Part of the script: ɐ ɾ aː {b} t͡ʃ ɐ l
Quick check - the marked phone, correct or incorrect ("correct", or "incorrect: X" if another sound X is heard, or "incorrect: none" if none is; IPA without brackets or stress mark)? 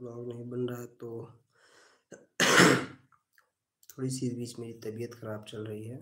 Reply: correct